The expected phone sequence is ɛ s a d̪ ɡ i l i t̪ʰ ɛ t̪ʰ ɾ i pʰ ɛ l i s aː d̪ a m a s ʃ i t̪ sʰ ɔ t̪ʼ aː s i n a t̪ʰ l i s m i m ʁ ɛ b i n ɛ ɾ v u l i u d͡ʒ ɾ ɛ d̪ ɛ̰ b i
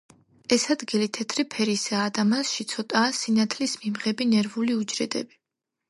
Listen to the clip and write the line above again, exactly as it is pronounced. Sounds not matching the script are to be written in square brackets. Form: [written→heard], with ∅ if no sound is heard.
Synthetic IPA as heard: ɛ s a d̪ ɡ i l i t̪ʰ ɛ t̪ʰ ɾ i pʰ ɛ [l→ɾ] i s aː d̪ a m a s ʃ i t̪ sʰ ɔ t̪ʼ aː s i n a t̪ʰ l i s m i m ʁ ɛ b i n ɛ ɾ v u l i u d͡ʒ ɾ ɛ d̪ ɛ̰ b i